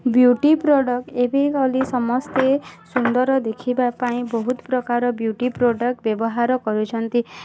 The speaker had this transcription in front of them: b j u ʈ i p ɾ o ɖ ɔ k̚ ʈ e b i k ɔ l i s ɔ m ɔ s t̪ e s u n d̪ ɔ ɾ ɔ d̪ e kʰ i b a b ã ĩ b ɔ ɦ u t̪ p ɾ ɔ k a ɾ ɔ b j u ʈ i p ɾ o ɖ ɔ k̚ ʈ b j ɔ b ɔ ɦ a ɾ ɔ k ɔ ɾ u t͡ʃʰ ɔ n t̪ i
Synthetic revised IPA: b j u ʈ i p ɾ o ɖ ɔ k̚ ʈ e b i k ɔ l i s ɔ m ɔ s t̪ e s u n d̪ ɔ ɾ ɔ d̪ e kʰ i b a p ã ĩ b ɔ ɦ u t̪ p ɾ ɔ k a ɾ ɔ b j u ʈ i p ɾ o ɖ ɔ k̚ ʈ b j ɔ b ɔ ɦ a ɾ ɔ k ɔ ɾ u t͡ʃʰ ɔ n t̪ i